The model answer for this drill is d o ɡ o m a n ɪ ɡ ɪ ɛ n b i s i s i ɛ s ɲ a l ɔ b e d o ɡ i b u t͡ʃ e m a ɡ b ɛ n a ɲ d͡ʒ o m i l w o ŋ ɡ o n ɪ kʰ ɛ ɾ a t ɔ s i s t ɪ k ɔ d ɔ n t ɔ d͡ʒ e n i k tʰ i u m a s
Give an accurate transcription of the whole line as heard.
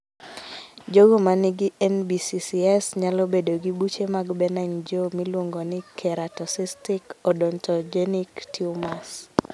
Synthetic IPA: d͡ʒ o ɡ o m a n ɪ ɡ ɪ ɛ n b i s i s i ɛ s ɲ a l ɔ b e d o ɡ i b u t͡ʃ e m a ɡ b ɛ n a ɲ d͡ʒ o m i l w o ŋ ɡ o n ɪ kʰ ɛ ɾ a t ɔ s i s t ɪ k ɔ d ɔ n t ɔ d͡ʒ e n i k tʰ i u m a s